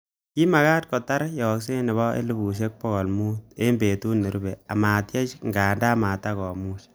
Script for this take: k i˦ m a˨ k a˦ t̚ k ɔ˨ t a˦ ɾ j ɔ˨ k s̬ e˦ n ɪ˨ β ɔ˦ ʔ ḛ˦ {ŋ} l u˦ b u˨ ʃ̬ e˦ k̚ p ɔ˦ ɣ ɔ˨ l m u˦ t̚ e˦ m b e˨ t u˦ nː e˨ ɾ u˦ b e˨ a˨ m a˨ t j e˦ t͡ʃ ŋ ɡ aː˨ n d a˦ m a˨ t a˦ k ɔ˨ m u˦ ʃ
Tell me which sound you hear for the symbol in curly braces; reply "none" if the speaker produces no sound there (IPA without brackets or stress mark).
none